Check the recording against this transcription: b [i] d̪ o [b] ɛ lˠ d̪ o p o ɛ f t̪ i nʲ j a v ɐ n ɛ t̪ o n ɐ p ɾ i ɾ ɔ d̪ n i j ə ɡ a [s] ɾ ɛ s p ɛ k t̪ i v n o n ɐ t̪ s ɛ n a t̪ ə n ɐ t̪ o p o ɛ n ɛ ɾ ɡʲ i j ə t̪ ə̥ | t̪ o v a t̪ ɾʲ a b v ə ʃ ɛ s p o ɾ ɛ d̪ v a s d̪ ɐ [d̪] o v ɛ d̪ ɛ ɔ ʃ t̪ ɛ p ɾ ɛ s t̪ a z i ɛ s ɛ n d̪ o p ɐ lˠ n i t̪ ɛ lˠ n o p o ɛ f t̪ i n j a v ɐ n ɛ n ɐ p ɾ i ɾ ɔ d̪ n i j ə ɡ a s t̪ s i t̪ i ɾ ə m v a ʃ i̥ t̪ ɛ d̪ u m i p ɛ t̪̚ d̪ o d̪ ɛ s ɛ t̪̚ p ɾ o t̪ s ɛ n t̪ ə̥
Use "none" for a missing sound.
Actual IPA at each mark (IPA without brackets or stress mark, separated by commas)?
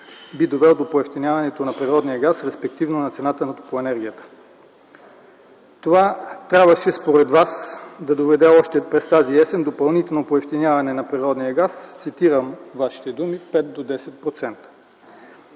i, v, s, d̪